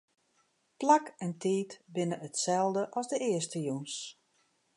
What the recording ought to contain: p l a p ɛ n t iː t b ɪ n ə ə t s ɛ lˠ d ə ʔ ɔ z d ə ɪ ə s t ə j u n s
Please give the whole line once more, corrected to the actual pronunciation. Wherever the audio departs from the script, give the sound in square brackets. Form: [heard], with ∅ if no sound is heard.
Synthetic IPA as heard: p l a [k] ɛ n t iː t b ɪ n ə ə t s ɛ lˠ d ə ʔ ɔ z d ə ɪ ə s t ə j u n s